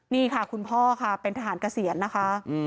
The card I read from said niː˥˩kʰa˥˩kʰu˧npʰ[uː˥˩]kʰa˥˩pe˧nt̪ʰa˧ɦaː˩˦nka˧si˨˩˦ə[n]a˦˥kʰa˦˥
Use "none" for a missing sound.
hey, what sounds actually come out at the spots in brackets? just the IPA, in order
ɔː˥˩, nː

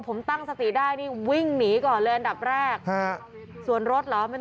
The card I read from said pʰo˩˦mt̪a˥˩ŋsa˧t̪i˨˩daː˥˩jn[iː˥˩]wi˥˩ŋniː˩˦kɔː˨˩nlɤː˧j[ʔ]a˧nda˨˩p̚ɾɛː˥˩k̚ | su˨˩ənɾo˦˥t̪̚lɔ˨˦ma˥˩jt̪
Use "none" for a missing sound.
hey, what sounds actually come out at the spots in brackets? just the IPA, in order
iː˥˩, ʔ

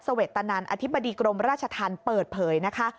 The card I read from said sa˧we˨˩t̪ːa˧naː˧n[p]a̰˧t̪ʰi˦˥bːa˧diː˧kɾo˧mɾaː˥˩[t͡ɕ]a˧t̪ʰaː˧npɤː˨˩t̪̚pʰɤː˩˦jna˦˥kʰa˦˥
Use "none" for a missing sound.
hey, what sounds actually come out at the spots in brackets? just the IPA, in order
ʔ, t͡ɕʰ

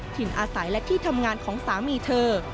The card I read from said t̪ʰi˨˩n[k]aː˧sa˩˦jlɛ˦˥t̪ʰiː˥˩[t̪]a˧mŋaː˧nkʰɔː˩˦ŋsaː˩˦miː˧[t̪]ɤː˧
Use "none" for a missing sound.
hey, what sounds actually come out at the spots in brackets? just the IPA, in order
ʔ, t̪ʰ, t̪ʰ

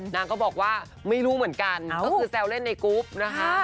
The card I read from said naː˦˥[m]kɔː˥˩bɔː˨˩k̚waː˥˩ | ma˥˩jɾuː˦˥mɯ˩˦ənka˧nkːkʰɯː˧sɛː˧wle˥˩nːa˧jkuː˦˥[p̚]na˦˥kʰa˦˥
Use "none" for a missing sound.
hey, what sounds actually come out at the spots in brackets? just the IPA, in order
ŋ, p̚

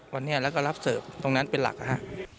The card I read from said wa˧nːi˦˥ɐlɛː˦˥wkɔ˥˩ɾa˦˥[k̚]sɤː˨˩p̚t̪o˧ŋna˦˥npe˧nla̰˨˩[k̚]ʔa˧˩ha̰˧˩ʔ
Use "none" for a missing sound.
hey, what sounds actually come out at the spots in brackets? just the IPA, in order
p̚, k̚

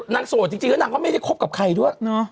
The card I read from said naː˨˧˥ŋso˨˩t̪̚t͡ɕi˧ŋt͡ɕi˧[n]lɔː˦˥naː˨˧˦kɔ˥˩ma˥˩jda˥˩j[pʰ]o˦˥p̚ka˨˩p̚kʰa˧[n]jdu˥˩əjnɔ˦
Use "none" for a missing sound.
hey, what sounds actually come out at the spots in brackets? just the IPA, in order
ŋ, kʰ, none

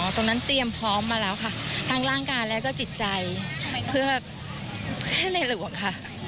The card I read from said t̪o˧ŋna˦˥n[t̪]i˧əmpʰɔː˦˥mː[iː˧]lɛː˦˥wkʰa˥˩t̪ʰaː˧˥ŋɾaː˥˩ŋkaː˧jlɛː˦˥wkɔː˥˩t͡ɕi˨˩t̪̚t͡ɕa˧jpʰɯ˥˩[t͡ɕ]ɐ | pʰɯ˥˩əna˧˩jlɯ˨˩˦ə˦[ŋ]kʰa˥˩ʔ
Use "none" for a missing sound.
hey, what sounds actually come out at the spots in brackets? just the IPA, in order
t̪, aː˧, none, ŋ

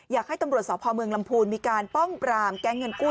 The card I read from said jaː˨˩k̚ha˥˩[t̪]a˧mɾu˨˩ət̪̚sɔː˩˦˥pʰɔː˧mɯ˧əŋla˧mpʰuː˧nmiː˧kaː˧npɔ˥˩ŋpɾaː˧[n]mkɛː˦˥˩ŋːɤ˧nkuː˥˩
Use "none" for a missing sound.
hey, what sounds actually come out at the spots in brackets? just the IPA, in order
t̪, none

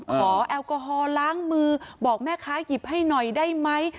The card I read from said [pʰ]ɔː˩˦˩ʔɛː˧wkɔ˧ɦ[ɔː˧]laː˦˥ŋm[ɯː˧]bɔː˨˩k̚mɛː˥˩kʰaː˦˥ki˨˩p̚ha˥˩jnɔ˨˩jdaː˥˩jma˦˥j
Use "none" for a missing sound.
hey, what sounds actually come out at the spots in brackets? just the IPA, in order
kʰ, ɔː˧, ɯː˧

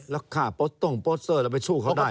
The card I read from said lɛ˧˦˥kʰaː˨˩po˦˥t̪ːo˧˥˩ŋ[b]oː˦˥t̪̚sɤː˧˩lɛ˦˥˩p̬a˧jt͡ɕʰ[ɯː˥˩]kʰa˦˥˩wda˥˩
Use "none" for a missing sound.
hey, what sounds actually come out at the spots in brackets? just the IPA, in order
p, uː˥˩

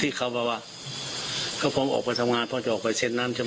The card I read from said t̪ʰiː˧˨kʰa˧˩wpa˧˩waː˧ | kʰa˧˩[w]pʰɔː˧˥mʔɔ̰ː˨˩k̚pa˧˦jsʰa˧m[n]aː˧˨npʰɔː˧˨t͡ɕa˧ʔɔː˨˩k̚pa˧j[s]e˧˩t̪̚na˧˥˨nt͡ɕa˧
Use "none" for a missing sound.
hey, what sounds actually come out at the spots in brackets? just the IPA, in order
w, ŋ, s

